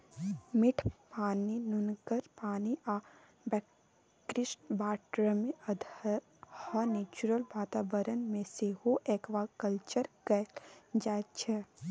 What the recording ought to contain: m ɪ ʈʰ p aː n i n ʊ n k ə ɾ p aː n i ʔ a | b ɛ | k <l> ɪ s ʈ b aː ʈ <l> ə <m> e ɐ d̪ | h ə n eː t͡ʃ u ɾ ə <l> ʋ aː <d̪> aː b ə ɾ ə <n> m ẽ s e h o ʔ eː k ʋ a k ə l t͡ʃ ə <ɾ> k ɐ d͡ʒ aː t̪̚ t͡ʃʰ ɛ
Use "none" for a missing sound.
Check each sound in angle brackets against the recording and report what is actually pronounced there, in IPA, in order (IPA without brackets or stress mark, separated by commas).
ɾ, ɾ, m, l, t̪, n, ɾ